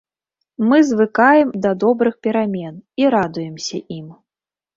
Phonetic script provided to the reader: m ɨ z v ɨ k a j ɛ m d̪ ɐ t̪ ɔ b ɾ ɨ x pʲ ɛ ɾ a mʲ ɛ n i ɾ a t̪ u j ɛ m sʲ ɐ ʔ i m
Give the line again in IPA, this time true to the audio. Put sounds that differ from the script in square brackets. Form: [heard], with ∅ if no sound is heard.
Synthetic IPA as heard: m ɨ z v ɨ k a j ɛ m d̪ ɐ [d̪] ɔ b ɾ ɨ x pʲ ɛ ɾ a mʲ ɛ n i ɾ a [d̪] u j ɛ m sʲ ɐ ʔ i m